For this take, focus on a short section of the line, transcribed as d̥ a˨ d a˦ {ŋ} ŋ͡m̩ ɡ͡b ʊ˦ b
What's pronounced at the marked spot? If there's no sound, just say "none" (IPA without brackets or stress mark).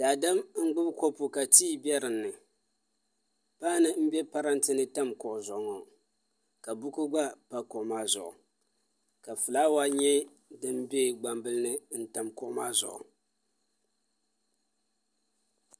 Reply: m